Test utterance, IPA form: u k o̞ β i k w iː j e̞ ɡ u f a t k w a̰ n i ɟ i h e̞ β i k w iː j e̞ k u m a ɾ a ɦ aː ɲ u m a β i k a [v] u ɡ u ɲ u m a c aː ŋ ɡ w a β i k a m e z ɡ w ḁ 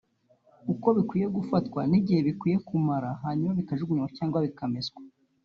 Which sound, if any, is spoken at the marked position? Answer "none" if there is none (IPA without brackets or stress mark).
ʒ